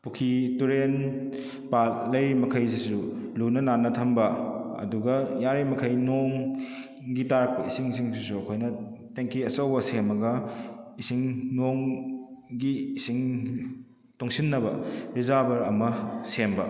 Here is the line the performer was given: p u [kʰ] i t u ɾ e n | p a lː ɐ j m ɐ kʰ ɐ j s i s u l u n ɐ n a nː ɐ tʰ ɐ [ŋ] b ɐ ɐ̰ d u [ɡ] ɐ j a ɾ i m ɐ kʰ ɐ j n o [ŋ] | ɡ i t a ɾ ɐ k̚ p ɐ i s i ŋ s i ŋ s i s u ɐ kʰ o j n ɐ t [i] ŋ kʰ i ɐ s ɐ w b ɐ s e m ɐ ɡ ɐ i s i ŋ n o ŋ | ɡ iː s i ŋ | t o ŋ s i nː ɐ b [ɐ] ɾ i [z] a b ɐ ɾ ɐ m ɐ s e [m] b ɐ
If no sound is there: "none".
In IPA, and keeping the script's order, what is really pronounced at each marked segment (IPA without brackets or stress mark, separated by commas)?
kʰ, m, ɡ, ŋ, e, ɐ, z, m